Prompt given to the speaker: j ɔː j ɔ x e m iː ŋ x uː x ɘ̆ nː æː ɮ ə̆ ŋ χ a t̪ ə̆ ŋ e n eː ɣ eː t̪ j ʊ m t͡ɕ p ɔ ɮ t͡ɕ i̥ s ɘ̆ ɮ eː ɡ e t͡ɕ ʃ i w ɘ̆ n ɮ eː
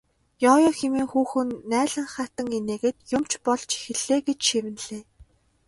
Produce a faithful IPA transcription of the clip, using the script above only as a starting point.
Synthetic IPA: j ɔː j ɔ x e m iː ŋ x uː x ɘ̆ nː æː ɮ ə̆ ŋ χ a t̪ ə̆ ŋ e n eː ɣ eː t̪ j ʊ m t͡ɕ p ɔ ɮ t͡ɕ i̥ x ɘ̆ ɮ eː ɡ e t͡ɕ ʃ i w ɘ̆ n ɮ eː